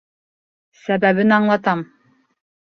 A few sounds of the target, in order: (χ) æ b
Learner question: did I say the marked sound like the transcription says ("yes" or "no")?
no